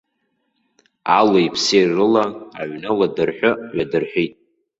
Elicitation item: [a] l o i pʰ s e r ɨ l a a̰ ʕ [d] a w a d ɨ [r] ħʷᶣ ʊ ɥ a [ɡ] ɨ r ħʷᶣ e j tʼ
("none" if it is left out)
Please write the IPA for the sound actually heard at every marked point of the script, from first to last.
a, n, r, d

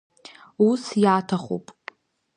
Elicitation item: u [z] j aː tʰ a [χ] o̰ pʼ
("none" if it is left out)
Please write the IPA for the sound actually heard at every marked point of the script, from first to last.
s, χ

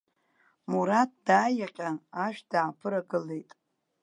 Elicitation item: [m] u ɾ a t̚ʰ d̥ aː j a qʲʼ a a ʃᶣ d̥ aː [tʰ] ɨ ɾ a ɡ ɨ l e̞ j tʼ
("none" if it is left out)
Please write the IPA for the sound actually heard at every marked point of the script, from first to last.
m, pʰ

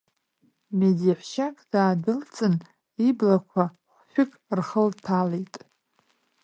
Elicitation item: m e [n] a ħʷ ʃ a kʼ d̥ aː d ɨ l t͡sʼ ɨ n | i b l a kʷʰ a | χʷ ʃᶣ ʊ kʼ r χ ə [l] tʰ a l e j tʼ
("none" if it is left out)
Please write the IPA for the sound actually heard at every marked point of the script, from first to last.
d, l

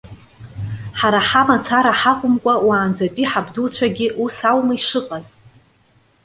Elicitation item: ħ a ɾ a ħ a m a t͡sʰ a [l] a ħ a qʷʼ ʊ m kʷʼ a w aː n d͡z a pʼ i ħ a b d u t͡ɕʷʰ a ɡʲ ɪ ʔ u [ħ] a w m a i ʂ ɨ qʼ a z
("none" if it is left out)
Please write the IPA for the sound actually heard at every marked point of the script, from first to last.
ɾ, s

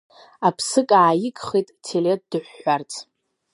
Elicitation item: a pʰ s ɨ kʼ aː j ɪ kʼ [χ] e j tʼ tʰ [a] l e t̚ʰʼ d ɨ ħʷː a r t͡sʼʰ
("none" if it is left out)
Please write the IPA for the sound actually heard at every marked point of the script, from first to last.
χ, e

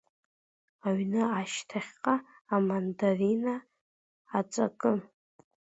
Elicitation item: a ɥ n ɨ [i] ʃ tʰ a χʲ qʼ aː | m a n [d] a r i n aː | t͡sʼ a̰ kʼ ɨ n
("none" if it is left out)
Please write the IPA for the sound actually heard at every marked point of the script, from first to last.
a, d

